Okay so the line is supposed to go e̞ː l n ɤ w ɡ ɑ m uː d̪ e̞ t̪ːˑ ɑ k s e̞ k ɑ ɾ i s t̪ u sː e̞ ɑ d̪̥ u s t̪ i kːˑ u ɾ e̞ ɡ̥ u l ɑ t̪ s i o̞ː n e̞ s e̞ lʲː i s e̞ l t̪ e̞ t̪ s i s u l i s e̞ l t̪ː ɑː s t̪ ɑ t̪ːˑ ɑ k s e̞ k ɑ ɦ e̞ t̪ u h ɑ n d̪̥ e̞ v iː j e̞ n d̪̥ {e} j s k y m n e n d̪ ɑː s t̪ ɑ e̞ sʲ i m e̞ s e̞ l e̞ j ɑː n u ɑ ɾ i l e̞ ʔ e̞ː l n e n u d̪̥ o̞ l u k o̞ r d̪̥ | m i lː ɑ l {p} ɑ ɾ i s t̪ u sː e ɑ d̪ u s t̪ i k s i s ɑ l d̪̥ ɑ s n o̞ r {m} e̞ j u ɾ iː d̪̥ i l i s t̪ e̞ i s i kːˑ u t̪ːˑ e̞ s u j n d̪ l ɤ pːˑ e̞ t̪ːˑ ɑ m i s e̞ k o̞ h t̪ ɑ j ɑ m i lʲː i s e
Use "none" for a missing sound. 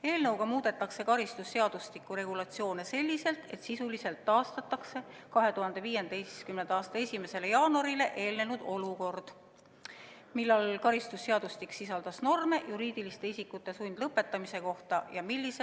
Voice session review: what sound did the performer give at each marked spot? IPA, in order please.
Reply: e, k, m

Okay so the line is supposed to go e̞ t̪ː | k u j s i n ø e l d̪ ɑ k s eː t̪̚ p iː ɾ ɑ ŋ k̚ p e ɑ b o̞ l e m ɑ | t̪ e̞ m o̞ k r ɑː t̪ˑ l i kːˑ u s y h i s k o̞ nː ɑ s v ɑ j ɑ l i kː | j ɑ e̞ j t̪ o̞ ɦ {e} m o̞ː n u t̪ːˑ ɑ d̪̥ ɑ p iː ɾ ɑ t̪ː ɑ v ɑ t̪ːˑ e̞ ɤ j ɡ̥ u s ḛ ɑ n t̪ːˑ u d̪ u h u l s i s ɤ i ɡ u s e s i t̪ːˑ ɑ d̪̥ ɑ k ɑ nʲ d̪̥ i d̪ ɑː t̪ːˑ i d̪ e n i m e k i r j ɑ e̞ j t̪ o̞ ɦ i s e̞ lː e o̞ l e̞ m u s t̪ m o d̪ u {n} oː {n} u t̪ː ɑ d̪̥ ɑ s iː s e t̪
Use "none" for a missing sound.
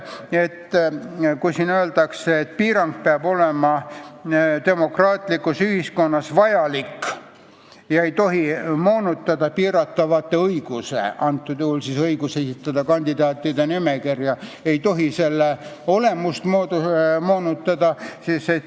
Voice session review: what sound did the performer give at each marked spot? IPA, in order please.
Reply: i, m, n

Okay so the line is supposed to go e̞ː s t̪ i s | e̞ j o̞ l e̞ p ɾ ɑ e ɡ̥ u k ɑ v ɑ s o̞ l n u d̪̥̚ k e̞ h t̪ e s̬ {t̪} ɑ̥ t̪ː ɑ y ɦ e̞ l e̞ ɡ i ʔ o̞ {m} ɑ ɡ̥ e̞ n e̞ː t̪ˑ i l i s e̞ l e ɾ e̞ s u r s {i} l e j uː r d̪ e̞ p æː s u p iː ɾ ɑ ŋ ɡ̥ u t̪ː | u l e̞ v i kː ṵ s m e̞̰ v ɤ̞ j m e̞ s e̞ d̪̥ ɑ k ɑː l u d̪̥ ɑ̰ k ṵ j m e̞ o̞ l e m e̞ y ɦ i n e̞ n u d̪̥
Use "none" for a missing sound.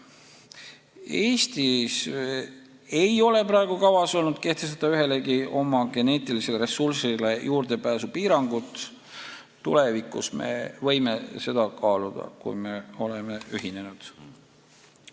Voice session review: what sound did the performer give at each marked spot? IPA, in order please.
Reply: t̪, m, i

